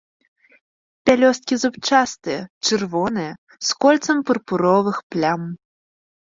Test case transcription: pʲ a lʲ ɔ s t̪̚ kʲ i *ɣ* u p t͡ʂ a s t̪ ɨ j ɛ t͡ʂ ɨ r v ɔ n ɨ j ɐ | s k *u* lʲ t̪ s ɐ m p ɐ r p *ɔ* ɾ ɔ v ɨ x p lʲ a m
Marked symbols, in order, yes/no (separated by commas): no, no, no